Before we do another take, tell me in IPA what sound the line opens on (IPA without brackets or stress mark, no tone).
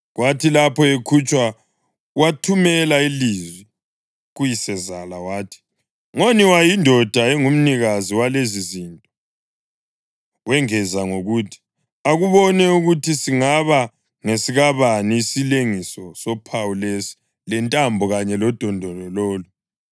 ɣ